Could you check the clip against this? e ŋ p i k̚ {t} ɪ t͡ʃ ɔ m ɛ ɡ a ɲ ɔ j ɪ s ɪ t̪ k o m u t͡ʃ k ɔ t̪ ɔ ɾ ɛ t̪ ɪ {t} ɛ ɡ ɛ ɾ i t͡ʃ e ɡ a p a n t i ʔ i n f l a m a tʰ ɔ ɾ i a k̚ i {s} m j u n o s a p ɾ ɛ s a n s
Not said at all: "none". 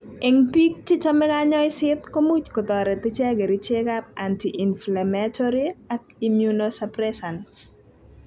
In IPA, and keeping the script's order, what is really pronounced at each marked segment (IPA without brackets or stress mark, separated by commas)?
t͡ʃ, t͡ʃ, none